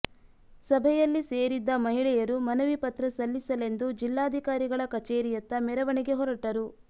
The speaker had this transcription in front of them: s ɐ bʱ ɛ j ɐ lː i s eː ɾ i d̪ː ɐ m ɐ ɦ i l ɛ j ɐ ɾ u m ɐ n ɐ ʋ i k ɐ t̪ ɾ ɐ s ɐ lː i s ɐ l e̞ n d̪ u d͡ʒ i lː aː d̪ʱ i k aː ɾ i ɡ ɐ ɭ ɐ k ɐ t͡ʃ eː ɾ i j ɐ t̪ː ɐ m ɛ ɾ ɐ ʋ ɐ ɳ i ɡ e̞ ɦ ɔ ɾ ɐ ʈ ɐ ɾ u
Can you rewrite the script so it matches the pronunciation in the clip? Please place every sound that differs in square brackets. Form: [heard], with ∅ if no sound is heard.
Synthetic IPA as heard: s ɐ bʱ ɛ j ɐ lː i s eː ɾ i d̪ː ɐ m ɐ ɦ i [ɭ] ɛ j ɐ ɾ u m ɐ n ɐ ʋ i [p] ɐ t̪ ɾ ɐ s ɐ lː i s ɐ l e̞ n d̪ u d͡ʒ i lː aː d̪ʱ i k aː ɾ i ɡ ɐ ɭ ɐ k ɐ t͡ʃ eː ɾ i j ɐ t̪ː ɐ m ɛ ɾ ɐ ʋ ɐ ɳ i ɡ e̞ ɦ ɔ ɾ ɐ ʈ ɐ ɾ u